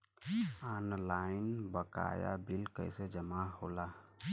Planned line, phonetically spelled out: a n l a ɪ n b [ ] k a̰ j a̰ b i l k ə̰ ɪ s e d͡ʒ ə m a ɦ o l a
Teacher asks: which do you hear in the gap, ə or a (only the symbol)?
ə